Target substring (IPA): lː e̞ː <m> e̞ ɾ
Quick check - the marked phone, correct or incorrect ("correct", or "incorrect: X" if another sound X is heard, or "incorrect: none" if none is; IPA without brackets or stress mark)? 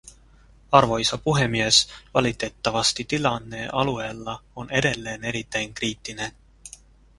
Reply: incorrect: n